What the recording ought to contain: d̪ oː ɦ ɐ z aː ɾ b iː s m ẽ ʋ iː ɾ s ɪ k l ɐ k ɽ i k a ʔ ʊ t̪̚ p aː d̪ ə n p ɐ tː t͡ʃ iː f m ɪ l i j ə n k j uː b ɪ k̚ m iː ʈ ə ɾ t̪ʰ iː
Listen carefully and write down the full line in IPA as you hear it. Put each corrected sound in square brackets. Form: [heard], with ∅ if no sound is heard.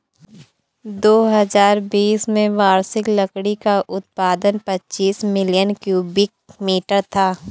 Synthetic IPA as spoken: d̪ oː ɦ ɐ z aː ɾ b iː s m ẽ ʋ [aː] ɾ s ɪ k l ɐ k ɽ i k a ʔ ʊ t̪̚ p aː d̪ ə n p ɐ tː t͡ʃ iː [s] m ɪ l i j ə n k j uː b ɪ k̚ m iː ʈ ə ɾ t̪ʰ [aː]